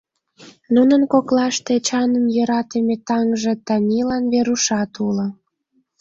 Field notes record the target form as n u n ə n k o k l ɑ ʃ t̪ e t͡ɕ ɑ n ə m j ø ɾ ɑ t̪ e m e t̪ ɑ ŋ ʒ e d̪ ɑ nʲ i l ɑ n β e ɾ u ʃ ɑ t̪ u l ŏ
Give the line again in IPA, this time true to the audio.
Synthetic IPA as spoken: n u n ə n k o k l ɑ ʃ t̪ e t͡ɕ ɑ n ə m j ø ɾ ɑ t̪ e m e t̪ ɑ ŋ ʒ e t̪ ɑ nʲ i l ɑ n β e ɾ u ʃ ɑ t̪ u l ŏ